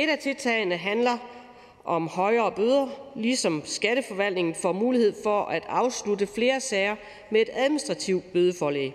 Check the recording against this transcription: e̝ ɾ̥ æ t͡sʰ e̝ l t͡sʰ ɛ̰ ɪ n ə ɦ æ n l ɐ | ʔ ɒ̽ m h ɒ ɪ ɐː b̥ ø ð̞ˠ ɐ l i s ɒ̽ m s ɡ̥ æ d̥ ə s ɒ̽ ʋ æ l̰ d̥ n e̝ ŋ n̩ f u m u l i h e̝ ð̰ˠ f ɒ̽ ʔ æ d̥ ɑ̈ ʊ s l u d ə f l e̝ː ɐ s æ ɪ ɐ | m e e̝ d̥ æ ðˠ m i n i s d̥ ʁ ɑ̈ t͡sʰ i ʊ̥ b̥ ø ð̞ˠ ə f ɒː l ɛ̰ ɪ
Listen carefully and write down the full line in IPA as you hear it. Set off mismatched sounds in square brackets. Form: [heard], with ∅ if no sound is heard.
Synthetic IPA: e̝ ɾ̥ æ t͡sʰ e̝ l t͡sʰ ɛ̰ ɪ n ə ɦ æ n l ɐ | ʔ ɒ̽ m h ɒ ɪ ɐː b̥ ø ð̞ˠ ɐ l i s ɒ̽ m s ɡ̥ æ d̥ ə [f] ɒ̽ ʋ æ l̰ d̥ n e̝ ŋ n̩ f [ɒ] m [uː] l i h e̝ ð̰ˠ f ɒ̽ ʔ æ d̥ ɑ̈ ʊ s l u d ə f l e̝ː ɐ s [ɛ] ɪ ɐ | m e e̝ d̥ æ ðˠ m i n i s d̥ ʁ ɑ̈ t͡sʰ i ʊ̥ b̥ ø ð̞ˠ ə f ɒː l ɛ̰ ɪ